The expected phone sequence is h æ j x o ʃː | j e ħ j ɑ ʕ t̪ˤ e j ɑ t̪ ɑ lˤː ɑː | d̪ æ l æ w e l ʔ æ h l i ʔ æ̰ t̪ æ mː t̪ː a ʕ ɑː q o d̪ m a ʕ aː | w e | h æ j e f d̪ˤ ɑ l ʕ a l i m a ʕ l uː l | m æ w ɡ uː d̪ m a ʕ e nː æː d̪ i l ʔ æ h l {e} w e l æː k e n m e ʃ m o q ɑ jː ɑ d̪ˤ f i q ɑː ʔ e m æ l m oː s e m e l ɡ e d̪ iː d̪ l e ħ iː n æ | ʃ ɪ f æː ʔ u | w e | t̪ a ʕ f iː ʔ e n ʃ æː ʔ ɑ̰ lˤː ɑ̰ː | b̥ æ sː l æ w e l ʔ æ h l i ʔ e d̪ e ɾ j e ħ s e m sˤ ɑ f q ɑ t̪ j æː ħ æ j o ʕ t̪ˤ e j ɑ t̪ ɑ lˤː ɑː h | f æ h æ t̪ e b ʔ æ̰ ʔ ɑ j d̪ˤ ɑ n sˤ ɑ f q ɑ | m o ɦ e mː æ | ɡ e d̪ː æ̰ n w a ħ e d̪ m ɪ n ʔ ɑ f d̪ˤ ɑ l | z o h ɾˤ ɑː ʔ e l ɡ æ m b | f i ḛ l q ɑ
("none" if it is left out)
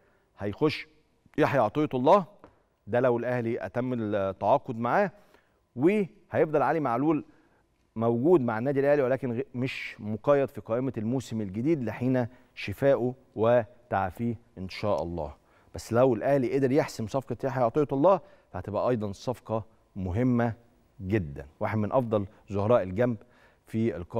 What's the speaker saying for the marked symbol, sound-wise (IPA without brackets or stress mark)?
i